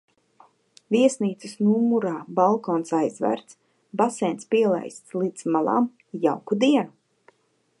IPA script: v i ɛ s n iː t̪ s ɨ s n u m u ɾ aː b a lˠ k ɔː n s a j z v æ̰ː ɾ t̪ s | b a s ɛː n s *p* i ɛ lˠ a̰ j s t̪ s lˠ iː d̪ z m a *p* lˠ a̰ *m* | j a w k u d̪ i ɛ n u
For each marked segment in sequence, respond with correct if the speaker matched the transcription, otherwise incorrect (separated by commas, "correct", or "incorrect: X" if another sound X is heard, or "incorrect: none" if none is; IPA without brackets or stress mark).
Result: correct, incorrect: none, correct